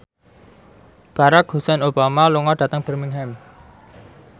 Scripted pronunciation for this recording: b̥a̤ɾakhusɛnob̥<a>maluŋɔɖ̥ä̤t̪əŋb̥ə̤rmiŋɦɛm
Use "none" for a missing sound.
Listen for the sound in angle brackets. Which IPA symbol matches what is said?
a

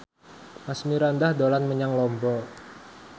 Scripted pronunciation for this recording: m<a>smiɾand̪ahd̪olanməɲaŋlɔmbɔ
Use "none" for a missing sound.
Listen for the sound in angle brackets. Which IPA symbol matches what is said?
a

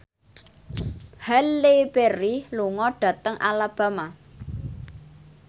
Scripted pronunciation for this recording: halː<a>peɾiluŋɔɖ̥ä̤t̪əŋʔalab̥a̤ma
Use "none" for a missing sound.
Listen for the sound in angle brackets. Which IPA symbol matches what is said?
e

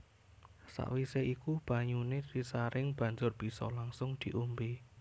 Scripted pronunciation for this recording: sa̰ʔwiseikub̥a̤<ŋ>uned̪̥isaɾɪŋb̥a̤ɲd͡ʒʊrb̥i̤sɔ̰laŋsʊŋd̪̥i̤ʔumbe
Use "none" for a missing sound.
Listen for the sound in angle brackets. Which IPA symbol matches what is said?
ɲ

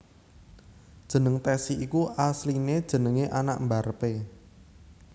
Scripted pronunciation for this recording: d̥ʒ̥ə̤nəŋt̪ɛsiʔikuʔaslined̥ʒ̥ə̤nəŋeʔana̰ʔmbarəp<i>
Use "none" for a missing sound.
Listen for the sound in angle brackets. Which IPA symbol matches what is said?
e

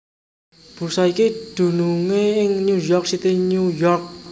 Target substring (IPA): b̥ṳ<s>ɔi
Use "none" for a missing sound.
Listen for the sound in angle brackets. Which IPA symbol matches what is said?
s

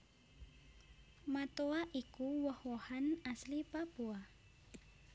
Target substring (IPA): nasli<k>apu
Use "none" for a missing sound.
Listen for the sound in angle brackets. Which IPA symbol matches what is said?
p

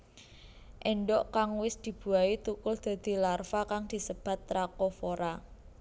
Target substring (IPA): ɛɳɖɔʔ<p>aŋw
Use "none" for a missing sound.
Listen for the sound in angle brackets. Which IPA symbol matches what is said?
k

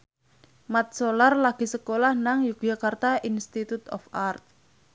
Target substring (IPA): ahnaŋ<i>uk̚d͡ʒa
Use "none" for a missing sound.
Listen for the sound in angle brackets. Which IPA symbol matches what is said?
j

